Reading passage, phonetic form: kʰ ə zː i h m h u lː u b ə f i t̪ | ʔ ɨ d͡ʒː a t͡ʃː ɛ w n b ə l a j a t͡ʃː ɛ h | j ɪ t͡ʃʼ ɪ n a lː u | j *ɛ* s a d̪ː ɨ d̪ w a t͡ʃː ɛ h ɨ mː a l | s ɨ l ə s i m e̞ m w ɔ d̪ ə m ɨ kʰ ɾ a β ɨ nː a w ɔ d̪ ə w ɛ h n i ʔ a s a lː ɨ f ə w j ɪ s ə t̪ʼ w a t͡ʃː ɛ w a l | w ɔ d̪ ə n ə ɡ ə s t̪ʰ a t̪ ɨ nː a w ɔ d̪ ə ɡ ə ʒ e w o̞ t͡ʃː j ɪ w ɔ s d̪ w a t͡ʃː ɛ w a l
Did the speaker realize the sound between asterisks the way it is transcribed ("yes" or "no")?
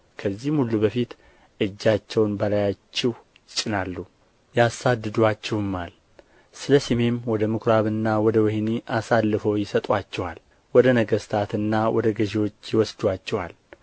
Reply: no